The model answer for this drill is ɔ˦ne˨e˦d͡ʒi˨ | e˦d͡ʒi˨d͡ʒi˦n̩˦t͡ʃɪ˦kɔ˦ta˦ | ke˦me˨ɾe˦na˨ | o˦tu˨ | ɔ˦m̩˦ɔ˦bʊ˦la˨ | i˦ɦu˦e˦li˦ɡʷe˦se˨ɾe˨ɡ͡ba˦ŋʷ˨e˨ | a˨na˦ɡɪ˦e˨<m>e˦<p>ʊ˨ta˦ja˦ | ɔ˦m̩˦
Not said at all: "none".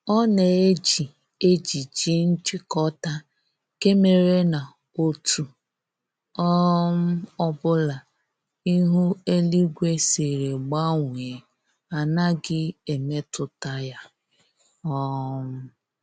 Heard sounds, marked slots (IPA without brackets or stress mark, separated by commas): m, t